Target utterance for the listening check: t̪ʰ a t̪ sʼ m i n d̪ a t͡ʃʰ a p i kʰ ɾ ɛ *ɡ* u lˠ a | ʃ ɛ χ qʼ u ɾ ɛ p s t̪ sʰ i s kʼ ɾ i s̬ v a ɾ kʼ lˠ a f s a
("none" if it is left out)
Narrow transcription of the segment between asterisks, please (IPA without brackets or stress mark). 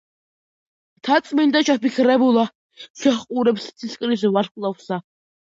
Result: b